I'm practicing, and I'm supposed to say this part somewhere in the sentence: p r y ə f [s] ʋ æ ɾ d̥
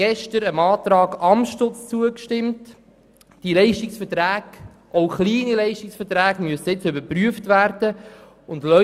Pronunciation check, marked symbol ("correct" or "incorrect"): incorrect